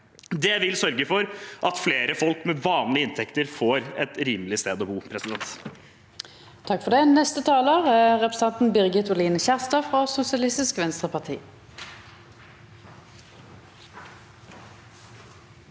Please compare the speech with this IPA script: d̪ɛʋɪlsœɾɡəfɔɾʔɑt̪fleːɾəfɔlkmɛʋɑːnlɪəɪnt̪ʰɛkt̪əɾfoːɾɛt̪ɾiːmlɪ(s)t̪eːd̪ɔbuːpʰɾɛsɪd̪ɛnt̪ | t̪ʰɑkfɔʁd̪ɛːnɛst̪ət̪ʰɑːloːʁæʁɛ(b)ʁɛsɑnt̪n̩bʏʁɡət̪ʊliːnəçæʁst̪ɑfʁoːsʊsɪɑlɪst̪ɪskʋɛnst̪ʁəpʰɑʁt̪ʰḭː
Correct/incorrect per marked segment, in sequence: correct, incorrect

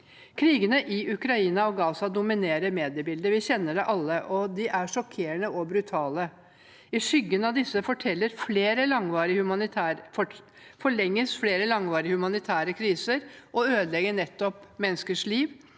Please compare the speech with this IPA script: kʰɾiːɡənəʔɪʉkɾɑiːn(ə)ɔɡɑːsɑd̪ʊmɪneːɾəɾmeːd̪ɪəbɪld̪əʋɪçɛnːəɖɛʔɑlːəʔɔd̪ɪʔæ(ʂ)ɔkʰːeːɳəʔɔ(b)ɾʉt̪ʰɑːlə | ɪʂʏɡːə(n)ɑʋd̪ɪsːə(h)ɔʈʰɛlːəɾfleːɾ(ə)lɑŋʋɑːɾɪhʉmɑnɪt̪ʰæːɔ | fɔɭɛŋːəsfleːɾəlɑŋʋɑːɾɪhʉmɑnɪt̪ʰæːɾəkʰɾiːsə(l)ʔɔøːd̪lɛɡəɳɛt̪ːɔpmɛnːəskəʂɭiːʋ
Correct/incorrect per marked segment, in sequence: incorrect, correct, correct, correct, incorrect, correct, incorrect

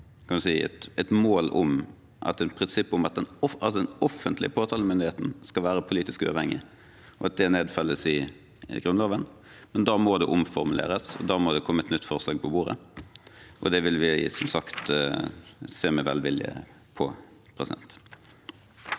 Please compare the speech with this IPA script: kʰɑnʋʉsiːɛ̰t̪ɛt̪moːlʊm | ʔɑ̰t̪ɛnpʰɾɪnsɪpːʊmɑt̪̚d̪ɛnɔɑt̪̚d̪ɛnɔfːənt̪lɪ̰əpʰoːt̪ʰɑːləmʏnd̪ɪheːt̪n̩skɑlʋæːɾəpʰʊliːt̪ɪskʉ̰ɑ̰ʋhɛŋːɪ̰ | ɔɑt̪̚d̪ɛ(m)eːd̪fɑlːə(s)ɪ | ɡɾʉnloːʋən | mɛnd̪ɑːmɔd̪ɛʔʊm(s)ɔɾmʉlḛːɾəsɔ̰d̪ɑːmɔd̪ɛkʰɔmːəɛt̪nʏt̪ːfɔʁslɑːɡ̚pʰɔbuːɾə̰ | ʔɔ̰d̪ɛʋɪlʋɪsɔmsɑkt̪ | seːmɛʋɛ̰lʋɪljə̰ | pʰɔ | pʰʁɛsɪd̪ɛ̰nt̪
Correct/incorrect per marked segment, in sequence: incorrect, correct, incorrect

